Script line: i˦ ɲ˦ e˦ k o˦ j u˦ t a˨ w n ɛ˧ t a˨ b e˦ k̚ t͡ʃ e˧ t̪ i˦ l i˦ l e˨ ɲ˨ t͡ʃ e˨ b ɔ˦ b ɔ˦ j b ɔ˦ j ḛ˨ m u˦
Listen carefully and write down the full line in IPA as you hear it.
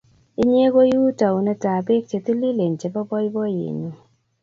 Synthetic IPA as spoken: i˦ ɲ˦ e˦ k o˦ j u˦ t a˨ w n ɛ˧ t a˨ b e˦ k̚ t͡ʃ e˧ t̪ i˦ l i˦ l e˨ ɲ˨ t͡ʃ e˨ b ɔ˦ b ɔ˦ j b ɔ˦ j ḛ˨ ɲ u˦